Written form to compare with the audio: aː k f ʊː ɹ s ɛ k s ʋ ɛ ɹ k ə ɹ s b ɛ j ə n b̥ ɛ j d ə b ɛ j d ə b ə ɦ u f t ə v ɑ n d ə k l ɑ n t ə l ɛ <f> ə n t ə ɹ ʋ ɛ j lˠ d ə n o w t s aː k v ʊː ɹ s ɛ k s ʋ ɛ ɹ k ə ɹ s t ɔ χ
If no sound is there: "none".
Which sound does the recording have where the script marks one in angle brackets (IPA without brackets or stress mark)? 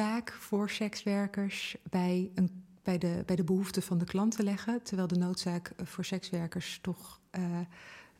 χ